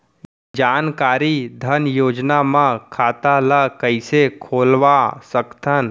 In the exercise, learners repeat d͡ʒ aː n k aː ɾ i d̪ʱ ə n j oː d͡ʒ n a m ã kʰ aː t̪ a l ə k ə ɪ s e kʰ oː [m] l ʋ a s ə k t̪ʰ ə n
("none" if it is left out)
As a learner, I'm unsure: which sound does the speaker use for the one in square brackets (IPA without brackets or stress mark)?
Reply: none